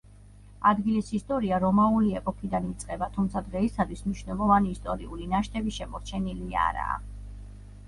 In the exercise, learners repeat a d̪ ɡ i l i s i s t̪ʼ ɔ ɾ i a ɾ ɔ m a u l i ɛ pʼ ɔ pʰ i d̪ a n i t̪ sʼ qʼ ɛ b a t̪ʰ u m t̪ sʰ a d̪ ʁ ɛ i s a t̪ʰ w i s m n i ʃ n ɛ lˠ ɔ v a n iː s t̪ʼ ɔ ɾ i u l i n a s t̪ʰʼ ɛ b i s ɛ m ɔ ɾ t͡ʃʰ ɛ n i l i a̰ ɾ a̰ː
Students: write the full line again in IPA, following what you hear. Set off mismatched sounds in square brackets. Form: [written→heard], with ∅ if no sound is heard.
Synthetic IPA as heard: a d̪ ɡ i l i s i s t̪ʼ ɔ ɾ i a ɾ ɔ m a u l i ɛ pʼ ɔ [pʰ→kʰ] i d̪ a n i t̪ sʼ qʼ ɛ b a t̪ʰ u m t̪ sʰ a d̪ ʁ ɛ i s a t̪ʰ w i s m n i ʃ n ɛ lˠ ɔ v a n iː s t̪ʼ ɔ ɾ i u l i n a [s→ʃ] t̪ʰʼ ɛ b i [s→ʃ] ɛ m ɔ ɾ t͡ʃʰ ɛ n i l i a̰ ɾ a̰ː